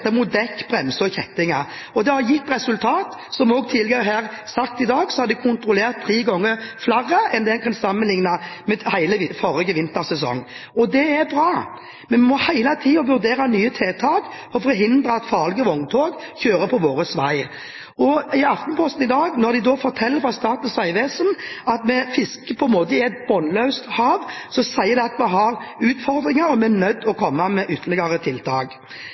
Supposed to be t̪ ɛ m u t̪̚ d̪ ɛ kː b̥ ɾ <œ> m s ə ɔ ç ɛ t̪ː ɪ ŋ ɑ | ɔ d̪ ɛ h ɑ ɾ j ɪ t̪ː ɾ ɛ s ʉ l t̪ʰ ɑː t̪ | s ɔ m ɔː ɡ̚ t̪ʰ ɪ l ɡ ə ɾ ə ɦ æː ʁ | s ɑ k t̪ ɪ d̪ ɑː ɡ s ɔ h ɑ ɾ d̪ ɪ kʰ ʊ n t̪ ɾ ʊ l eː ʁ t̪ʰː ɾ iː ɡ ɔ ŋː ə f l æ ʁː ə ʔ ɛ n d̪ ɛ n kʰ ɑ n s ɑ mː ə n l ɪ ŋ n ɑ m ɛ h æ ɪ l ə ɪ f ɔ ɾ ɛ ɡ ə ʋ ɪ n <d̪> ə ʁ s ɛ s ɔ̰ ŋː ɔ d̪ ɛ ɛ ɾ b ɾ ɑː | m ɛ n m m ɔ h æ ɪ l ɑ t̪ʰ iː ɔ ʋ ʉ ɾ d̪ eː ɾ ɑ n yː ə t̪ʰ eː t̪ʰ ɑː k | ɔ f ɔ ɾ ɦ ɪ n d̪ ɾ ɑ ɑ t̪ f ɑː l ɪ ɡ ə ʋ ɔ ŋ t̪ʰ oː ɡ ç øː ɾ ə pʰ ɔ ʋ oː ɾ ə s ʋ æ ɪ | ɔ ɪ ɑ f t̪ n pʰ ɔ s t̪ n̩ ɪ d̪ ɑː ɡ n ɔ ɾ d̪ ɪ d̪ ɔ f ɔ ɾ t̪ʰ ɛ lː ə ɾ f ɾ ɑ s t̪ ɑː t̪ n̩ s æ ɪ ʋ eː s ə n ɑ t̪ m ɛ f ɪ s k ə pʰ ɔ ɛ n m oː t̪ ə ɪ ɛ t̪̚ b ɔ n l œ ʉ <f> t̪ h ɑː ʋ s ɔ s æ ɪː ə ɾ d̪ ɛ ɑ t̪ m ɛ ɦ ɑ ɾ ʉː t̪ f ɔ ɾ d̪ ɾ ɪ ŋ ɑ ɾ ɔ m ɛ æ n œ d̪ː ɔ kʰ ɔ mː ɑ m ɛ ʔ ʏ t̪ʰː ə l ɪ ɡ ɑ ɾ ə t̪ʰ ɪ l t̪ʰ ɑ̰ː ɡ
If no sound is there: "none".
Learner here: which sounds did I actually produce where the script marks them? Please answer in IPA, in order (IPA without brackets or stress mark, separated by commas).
ɛ, t̪, s